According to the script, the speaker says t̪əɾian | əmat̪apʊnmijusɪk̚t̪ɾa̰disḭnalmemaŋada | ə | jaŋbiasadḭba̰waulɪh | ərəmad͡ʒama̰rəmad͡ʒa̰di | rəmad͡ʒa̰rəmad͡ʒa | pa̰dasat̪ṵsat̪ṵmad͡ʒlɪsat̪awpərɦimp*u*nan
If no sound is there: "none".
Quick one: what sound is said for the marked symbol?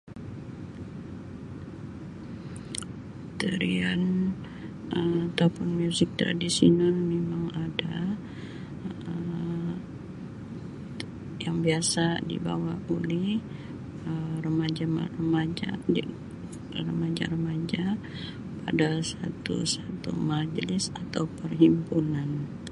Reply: u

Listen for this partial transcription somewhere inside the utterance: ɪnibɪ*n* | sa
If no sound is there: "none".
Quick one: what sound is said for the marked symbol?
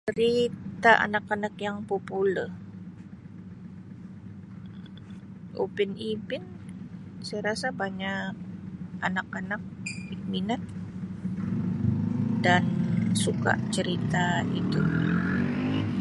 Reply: n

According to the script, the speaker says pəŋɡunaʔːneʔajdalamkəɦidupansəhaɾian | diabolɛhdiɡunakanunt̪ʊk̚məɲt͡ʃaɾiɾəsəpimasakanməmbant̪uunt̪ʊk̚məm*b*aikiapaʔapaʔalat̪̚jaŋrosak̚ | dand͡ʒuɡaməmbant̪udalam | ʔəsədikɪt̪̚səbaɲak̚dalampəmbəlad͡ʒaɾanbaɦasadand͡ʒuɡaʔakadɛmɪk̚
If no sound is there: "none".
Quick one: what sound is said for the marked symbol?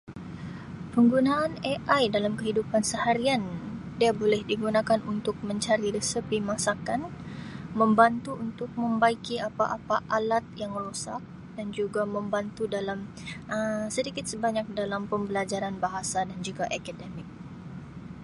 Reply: b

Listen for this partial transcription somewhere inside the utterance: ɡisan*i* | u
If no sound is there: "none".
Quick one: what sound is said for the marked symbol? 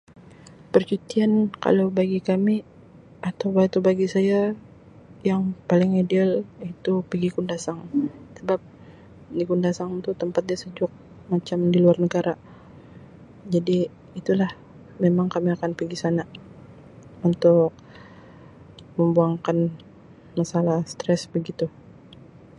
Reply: a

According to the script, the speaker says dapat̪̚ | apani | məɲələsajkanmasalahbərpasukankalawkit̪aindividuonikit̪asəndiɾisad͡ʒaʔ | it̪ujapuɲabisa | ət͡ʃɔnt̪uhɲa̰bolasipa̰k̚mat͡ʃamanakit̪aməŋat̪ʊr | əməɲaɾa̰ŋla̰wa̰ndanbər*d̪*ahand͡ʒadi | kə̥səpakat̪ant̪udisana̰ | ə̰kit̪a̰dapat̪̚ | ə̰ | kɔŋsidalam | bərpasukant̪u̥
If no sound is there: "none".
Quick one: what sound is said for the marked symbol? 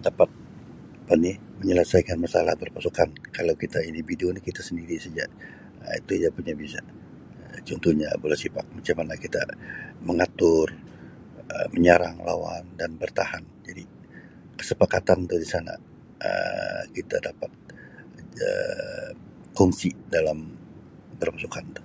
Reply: t̪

